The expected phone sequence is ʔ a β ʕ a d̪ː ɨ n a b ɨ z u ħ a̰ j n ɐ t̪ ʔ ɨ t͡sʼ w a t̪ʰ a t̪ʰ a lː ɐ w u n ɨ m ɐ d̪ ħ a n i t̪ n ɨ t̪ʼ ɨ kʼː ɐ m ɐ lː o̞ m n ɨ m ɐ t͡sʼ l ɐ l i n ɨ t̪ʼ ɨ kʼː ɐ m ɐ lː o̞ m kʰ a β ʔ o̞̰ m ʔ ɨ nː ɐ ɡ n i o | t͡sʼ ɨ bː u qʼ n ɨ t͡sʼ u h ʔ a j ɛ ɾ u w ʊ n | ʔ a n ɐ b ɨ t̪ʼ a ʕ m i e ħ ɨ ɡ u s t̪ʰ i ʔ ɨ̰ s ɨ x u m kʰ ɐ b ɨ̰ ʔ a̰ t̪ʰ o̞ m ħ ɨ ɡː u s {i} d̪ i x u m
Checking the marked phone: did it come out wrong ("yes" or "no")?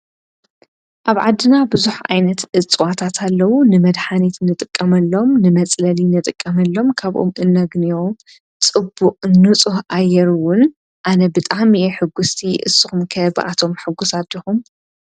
yes